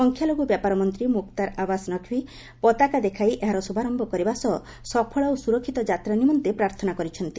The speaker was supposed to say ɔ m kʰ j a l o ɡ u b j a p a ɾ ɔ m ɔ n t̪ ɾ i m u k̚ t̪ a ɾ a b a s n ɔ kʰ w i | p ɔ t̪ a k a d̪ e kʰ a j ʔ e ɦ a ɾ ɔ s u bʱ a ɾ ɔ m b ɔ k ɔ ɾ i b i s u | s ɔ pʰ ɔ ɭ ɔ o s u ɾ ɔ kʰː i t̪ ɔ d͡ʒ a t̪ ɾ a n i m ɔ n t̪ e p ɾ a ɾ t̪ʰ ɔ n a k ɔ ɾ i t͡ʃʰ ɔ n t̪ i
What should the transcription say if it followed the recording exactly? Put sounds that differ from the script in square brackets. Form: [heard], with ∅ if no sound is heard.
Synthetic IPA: ɔ [ŋ] kʰ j a l o ɡ u b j a p a ɾ ɔ m ɔ n t̪ ɾ i m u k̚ t̪ a ɾ a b a s n ɔ kʰ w i | p ɔ t̪ a k a d̪ e kʰ a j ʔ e ɦ a ɾ ɔ s u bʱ a ɾ ɔ m b ɔ k ɔ ɾ i b [a] s [ɔ] | s ɔ pʰ ɔ ɭ ɔ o s u ɾ ɔ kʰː i t̪ ɔ d͡ʒ a t̪ ɾ a n i m ɔ n t̪ e p ɾ a ɾ t̪ʰ ɔ n a k ɔ ɾ i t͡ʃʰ ɔ n t̪ i